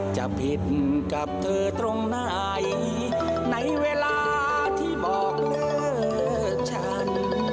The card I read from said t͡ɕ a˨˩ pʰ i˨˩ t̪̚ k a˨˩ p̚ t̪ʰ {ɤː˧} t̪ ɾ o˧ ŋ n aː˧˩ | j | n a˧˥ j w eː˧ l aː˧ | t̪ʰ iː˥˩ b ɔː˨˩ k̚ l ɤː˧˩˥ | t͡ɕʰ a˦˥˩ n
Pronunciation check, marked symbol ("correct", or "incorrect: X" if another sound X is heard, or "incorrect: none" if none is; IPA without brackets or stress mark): correct